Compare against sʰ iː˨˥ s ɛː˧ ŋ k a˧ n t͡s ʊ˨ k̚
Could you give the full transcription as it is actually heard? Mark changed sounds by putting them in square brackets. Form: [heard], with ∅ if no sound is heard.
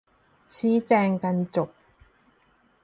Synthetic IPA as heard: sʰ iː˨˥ [t͡s] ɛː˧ ŋ k [ɐ˧] n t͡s ʊ˨ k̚